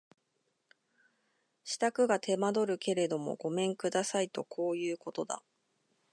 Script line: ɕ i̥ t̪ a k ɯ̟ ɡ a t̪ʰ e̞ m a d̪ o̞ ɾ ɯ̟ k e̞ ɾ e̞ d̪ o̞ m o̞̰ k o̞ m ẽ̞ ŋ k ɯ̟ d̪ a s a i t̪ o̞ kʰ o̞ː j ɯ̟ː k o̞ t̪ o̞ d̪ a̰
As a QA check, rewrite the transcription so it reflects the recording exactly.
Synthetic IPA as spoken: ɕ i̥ t̪ a k ɯ̟ ɡ a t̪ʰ e̞ m a d̪ o̞ ɾ ɯ̟ k e̞ ɾ e̞ d̪ o̞ m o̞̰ ɡ o̞ m ẽ̞ ŋ k ɯ̟ d̪ a s a i t̪ o̞ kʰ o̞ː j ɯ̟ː k o̞ t̪ o̞ d̪ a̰